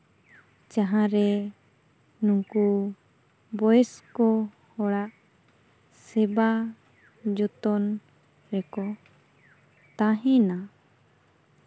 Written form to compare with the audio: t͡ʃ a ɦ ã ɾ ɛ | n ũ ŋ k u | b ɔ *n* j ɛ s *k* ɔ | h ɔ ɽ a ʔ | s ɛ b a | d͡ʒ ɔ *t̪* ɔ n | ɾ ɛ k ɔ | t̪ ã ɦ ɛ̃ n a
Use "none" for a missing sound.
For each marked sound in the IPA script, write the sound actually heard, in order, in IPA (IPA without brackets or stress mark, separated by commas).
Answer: none, k, t̪